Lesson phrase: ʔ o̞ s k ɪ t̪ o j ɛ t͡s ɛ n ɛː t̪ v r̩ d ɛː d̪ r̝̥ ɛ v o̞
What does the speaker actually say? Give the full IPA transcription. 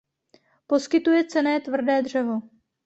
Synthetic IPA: p o̞ s k ɪ t̪ u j ɛ t͡s ɛ n ɛː t̪ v r̩ d ɛː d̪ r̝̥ ɛ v o̞